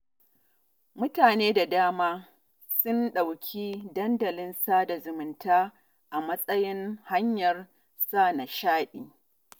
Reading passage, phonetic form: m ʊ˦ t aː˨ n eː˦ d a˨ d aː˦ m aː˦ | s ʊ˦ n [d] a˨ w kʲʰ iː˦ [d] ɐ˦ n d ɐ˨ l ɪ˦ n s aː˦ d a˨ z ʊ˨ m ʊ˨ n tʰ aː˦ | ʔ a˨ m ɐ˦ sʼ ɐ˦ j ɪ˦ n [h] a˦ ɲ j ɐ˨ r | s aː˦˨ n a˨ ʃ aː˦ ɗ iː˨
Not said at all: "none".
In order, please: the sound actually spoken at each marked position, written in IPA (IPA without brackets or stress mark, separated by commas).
ɗ, d, h